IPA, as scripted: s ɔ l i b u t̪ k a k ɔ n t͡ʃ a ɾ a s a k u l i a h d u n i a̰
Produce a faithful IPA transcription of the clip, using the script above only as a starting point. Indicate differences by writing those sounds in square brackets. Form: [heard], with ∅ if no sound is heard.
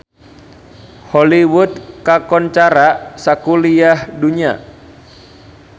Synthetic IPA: [h] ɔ l i [w] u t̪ k a k ɔ n t͡ʃ a ɾ a s a k u l i a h d u [ɲ] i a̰